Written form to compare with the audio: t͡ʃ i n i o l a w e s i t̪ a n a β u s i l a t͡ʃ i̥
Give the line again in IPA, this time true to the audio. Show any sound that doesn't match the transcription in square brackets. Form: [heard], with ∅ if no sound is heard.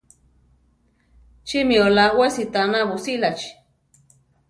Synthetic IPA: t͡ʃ i [m] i o l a w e s i t̪ a n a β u s i l a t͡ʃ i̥